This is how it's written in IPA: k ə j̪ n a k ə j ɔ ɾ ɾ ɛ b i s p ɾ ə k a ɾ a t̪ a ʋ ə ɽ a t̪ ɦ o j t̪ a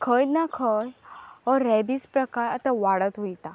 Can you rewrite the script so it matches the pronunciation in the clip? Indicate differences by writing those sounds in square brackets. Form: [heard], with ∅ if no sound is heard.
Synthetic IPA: [kʰ] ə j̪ n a [kʰ] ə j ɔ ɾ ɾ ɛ b i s p ɾ ə k a ɾ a t̪ a ʋ [a] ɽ [ə] t̪ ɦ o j t̪ a